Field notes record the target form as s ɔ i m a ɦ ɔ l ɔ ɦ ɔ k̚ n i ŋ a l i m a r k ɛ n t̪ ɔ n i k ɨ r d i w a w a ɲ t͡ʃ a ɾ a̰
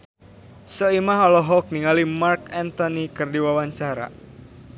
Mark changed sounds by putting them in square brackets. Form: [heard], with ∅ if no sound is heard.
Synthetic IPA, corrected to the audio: s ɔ i m a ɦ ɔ l ɔ ɦ ɔ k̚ n i ŋ a l i m a r k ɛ n t̪ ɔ n i k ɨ r d i w a w a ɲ t͡ʃ a ɾ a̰